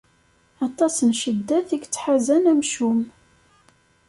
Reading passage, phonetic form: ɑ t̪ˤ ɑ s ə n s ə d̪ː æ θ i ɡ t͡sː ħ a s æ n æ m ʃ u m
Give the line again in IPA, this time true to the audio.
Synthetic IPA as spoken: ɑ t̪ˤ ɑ s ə n ʃ ə d̪ː æ θ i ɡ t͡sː ħ a z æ n æ m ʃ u m